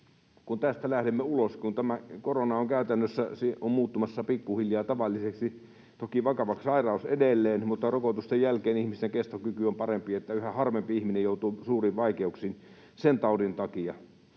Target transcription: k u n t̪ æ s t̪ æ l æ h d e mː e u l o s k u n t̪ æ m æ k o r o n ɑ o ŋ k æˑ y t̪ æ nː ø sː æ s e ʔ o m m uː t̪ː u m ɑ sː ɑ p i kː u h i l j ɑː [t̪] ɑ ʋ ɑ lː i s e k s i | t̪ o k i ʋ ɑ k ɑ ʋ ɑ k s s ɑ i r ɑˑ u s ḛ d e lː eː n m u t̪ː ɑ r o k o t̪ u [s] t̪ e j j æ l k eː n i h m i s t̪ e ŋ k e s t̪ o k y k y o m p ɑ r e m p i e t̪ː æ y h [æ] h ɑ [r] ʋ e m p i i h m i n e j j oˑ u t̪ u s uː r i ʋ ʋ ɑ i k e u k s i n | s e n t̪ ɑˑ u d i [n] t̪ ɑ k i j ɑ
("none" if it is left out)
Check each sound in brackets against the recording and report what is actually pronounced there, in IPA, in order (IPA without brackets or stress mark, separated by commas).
t̪, s, æ, r, n